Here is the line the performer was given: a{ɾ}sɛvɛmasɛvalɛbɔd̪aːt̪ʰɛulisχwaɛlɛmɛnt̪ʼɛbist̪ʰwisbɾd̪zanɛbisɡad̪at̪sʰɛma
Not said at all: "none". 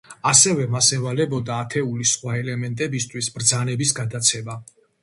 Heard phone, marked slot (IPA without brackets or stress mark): none